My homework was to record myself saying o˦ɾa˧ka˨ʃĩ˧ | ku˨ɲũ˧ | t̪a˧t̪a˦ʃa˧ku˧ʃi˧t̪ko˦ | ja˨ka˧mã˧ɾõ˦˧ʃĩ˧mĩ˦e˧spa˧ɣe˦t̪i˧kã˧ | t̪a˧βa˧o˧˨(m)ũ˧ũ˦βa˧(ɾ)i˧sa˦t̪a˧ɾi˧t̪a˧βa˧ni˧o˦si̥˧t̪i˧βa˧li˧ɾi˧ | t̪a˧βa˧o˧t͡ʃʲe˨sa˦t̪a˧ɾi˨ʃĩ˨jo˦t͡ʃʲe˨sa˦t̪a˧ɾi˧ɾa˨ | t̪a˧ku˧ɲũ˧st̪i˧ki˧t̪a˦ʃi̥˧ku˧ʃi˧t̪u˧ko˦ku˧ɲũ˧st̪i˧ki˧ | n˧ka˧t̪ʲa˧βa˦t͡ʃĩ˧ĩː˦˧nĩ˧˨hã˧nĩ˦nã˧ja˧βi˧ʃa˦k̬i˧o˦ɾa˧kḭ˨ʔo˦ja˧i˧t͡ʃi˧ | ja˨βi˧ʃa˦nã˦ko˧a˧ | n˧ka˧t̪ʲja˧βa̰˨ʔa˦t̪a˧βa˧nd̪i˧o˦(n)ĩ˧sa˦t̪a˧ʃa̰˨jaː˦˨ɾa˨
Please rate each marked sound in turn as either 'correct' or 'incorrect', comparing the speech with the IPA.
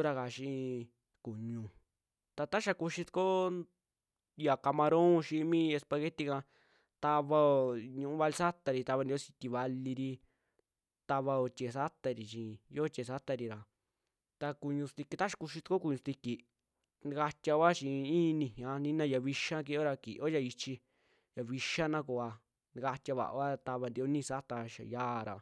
incorrect, incorrect, correct

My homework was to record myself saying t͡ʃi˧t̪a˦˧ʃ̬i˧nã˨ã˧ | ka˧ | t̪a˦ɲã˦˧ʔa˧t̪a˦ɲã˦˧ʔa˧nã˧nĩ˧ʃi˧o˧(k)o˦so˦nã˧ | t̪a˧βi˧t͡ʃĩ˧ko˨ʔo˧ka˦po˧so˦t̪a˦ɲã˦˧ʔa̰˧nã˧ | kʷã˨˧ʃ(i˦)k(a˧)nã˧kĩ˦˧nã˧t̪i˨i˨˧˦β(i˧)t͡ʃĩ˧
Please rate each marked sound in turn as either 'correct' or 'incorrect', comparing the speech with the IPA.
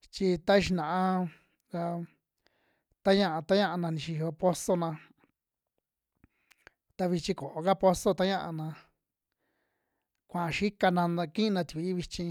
incorrect, correct, correct, correct

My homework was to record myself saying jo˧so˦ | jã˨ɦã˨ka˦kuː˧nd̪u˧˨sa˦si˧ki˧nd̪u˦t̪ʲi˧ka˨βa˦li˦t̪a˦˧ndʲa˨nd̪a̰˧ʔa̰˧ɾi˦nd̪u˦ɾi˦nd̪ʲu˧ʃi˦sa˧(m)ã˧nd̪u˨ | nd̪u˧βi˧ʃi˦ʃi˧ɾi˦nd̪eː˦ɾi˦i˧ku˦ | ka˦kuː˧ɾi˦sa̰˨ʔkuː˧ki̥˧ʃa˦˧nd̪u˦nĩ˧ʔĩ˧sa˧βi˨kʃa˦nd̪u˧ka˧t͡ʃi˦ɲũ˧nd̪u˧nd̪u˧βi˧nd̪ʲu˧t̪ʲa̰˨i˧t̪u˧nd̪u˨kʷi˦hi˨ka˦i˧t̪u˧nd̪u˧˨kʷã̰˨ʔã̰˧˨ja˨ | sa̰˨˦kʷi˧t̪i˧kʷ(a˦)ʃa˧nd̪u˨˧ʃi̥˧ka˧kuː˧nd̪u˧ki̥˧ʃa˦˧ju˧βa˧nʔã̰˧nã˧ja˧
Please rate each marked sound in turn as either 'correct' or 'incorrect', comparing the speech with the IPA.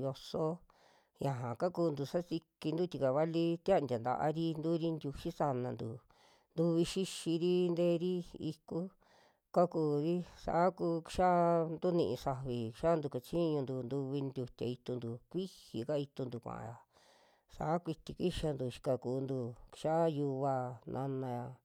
incorrect, incorrect

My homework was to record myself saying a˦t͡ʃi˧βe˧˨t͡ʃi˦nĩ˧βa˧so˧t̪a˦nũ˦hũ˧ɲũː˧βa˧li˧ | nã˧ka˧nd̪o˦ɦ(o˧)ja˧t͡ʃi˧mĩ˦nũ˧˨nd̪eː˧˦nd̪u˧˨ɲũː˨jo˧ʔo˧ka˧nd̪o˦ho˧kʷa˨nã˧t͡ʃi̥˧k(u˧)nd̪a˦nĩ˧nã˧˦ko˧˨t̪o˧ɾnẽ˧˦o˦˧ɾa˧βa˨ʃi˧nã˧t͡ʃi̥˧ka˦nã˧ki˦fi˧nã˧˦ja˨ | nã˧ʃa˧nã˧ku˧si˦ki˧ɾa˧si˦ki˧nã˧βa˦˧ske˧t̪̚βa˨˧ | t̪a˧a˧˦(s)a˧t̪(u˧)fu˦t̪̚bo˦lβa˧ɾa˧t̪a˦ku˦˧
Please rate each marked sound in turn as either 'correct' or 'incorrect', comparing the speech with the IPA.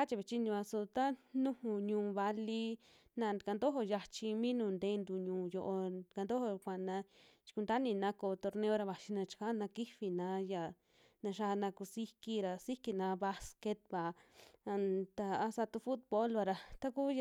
correct, correct, correct, correct

